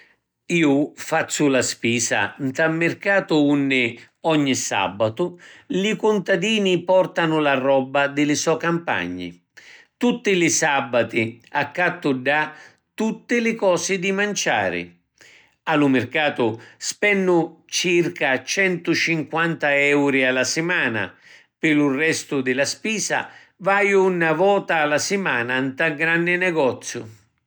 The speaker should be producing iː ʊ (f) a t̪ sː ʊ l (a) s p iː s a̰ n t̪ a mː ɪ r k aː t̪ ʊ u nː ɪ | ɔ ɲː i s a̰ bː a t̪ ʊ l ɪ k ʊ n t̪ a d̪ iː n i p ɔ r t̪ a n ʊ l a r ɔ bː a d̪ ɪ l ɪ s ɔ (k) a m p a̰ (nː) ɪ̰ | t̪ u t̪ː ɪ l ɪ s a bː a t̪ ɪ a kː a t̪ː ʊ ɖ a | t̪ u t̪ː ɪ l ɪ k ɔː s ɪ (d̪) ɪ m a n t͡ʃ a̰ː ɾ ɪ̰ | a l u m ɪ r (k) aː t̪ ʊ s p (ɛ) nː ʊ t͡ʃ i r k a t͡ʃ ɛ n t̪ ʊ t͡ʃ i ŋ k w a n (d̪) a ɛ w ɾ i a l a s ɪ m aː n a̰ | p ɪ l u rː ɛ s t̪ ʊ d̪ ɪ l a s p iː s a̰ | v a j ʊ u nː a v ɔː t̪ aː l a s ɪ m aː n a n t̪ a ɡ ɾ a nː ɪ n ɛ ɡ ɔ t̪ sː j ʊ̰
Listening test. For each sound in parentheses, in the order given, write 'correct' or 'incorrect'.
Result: correct, correct, correct, incorrect: ɲː, correct, correct, correct, incorrect: t̪

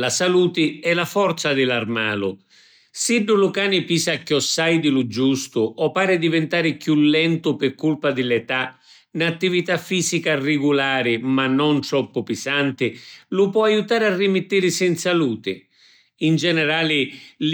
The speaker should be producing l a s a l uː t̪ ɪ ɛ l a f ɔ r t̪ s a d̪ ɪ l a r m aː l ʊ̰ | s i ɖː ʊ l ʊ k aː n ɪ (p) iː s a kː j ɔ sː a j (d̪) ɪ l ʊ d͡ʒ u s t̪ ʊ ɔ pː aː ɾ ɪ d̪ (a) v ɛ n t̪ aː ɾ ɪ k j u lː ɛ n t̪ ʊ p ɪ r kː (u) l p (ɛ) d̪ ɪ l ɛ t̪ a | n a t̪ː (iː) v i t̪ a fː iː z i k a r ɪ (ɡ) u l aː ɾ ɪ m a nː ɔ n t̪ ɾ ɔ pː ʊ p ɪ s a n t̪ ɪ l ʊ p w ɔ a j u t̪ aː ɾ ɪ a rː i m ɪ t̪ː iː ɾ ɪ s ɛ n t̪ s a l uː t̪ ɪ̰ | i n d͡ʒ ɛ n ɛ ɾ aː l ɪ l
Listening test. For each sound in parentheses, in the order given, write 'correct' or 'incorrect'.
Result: correct, correct, incorrect: i, correct, incorrect: a, incorrect: i, correct

